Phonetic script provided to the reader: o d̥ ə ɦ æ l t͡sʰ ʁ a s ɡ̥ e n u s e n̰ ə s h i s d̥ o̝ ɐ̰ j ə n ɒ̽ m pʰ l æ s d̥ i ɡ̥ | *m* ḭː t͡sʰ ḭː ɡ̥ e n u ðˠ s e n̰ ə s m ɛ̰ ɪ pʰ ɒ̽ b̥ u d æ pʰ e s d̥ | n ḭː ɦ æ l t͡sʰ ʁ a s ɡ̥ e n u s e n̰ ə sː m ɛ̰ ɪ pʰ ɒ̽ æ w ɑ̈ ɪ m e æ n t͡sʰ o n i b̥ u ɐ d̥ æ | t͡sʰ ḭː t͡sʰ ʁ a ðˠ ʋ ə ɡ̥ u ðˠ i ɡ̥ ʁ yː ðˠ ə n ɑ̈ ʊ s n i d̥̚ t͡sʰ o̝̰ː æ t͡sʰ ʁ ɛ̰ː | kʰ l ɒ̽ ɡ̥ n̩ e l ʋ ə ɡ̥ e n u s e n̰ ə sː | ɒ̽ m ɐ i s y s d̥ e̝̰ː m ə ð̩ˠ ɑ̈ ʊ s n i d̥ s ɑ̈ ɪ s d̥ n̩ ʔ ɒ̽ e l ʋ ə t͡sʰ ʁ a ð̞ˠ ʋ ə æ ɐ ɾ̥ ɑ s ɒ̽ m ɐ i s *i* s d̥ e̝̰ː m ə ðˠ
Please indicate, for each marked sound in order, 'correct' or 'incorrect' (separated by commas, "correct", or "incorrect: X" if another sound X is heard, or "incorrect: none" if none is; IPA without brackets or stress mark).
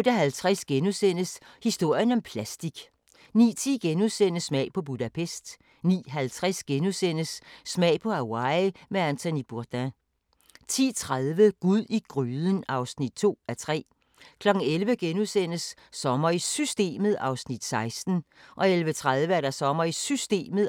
incorrect: n, incorrect: y